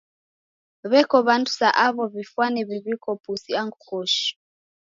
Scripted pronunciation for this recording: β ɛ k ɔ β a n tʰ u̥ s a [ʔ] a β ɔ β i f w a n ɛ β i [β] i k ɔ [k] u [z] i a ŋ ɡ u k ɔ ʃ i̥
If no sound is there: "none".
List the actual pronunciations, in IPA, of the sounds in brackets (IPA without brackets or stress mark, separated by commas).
ʔ, β, p, s